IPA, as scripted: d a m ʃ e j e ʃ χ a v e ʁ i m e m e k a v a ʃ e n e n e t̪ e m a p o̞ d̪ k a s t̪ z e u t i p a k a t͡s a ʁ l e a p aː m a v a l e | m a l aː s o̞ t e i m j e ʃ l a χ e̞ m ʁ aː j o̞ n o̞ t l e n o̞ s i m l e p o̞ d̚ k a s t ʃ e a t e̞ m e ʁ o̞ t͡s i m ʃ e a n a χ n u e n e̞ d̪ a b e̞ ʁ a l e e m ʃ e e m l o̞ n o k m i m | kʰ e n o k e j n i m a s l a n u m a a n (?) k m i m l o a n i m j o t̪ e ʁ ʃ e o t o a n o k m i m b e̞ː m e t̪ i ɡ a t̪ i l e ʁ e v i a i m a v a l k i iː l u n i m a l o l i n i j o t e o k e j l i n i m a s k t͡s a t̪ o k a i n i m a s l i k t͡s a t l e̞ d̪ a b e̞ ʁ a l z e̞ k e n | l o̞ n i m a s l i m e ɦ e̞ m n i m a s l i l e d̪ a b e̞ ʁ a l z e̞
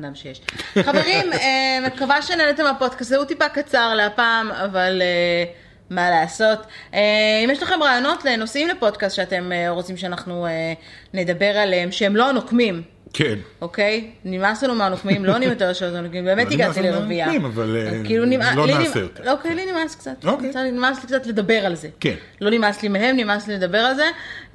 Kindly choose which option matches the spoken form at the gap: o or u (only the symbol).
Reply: o